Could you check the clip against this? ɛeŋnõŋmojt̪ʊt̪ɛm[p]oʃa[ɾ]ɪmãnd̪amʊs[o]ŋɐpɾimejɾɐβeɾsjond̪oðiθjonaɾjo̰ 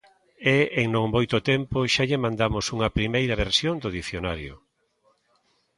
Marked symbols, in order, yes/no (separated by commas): yes, no, no